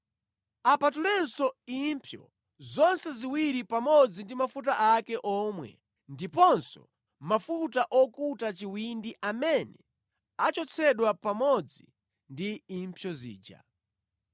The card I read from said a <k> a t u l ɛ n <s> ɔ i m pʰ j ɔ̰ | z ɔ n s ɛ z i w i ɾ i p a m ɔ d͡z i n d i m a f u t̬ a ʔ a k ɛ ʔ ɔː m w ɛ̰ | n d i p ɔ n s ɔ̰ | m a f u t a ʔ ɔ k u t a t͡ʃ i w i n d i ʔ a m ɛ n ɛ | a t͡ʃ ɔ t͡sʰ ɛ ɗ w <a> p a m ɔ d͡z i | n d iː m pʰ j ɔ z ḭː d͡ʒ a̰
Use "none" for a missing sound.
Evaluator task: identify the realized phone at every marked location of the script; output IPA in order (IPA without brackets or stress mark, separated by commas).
p, s, a